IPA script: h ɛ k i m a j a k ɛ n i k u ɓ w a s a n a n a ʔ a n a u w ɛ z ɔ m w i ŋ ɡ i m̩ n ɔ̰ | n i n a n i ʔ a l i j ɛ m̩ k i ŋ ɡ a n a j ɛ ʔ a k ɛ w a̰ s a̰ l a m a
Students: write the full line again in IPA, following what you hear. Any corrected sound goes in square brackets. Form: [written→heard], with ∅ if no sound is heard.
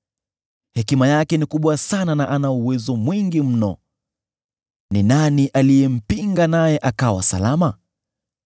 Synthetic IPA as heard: h ɛ k i m a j a k ɛ n i k u ɓ w a s a n a n a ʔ a n a u w ɛ z ɔ m w i ŋ ɡ i m̩ n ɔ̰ | n i n a n i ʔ a l i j ɛ m̩ [k→p] i ŋ ɡ a n a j ɛ ʔ a k [ɛ→a] w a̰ s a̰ l a m a